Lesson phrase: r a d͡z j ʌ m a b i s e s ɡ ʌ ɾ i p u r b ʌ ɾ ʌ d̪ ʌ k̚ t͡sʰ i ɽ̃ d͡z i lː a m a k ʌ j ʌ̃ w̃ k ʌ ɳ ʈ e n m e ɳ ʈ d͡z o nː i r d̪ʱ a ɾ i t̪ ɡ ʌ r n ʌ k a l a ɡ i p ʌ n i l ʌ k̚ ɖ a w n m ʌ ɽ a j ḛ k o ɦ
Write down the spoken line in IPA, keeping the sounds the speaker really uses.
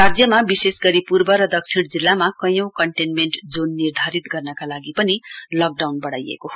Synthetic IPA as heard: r a d͡z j ʌ m a b i s e s ɡ ʌ ɾ i p u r b ʌ ɾ ʌ d̪ ʌ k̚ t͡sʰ i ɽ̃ d͡z i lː a m a k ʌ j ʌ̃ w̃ k ʌ ɳ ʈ e n m e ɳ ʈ d͡z o nː i r d̪ʱ a ɾ i t̪ ɡ ʌ r n ʌ k a l a ɡ i p ʌ n i l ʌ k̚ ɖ a w n b ʌ ɽ a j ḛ k o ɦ

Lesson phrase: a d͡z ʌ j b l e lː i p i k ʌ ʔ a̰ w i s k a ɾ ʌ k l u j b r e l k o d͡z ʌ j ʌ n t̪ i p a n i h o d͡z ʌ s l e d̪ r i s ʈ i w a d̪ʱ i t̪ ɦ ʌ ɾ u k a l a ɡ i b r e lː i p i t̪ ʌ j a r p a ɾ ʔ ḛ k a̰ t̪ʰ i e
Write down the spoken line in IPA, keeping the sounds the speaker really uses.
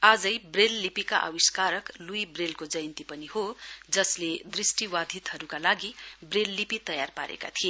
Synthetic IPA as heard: a d͡z ʌ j b r e lː i p i k a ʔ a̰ w i s k a ɾ ʌ k l u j b r e l k o d͡z ʌ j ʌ n t̪ i p ʌ n i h o d͡z ʌ s l e d̪ r i s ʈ i w a d̪ʱ i t̪ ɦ ʌ ɾ u k a l a ɡ i b r e lː i p i t̪ ʌ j a r p a ɾ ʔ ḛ k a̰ t̪ʰ i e

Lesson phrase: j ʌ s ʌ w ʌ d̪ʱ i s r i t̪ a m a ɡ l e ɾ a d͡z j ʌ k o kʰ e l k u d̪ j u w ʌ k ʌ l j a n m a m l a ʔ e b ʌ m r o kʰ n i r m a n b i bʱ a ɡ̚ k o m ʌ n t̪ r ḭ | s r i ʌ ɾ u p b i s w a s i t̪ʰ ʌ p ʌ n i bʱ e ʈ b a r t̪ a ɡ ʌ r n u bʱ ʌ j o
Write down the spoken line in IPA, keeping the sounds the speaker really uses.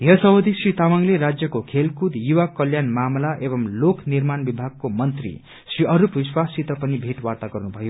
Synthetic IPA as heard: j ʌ s ʌ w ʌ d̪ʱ i s r i t̪ a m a ŋ l e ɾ a d͡z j ʌ k o kʰ e l k u d̪ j u w a k ʌ l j a n m a m l a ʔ e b ʌ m l o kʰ n i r m a n b i bʱ a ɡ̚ k o m ʌ n t̪ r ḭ | s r i ʌ ɾ u p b i s w a s i t̪ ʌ p ʌ n i bʱ e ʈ w a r t̪ a ɡ ʌ r n u bʱ ʌ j o

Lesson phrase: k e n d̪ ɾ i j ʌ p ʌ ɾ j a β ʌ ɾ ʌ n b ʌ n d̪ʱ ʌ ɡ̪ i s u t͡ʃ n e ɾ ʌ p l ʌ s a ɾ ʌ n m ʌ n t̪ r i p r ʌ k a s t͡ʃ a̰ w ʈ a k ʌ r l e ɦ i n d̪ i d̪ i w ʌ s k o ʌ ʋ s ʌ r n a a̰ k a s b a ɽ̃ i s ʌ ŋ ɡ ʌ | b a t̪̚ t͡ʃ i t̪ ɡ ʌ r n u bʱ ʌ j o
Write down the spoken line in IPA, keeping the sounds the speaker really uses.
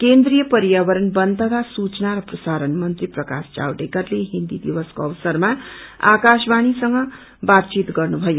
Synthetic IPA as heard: k e n d̪ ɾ i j ʌ p ʌ ɾ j a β ʌ ɾ ʌ n b ʌ n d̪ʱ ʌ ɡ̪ a s u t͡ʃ n a ɾ ʌ p r ʌ s a ɾ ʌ n m ʌ n t̪ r i p r ʌ k a s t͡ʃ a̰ w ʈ e k ʌ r l e ɦ i n d̪ i d̪ i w ʌ s k o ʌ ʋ s ʌ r m a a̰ k a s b a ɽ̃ i s ʌ ŋ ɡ ʌ | b a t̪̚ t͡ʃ i t̪ ɡ ʌ r n u bʱ ʌ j o

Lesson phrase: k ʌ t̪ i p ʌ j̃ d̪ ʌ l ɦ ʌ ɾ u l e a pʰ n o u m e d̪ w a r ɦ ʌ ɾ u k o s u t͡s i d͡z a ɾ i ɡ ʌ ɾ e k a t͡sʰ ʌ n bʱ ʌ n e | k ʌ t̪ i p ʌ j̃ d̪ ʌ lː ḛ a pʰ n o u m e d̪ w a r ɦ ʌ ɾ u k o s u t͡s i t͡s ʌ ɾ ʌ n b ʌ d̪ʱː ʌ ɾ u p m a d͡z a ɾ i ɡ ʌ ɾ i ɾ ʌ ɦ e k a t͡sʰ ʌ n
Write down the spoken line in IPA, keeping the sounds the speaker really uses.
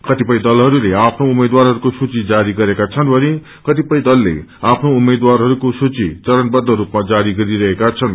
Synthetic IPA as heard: k ʌ t̪ i p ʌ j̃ d̪ ʌ l ɦ ʌ ɾ u l e a pʰ n o u m e d̪ w a r ɦ ʌ ɾ u k o s u t͡s i d͡z a ɾ i ɡ ʌ ɾ e k a t͡sʰ ʌ n bʱ ʌ n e | k ʌ t̪ i p ʌ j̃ d̪ ʌ lː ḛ a pʰ n o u m e d̪ w a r ɦ ʌ ɾ u k o s u t͡s i t͡s ʌ ɾ ʌ n b ʌ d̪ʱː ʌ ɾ u p m a d͡z a ɾ i ɡ ʌ ɾ i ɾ ʌ ɦ e k a t͡sʰ ʌ n

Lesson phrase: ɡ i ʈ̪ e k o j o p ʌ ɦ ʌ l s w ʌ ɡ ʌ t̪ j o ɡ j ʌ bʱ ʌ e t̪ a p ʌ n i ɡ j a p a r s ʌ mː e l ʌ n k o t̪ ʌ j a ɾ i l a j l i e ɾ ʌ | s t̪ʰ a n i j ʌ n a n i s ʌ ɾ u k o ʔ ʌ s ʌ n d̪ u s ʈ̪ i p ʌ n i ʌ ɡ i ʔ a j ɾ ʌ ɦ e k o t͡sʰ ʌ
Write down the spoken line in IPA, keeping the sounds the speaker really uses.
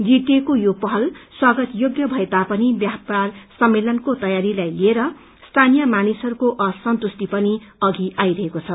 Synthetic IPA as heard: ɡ i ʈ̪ e k o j o p ʌ ɦ ʌ l s w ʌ ɡ ʌ t̪ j o ɡ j ʌ bʱ ʌ e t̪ a p ʌ n i b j a p a r s ʌ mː e l ʌ n k o t̪ ʌ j a ɾ i l a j l i e ɾ ʌ | s t̪ʰ a n i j ʌ m a n i s ʌ ɾ u k o ʔ ʌ s ʌ n t̪ u s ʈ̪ i p ʌ n i ʌ ɡ i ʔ a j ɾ ʌ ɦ e k o t͡sʰ ʌ

